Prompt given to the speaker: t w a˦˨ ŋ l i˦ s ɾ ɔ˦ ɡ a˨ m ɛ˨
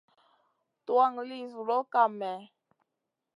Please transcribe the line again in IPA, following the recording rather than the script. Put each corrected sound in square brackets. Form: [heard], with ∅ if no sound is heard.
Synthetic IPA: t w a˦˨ ŋ l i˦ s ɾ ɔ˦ [k] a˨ m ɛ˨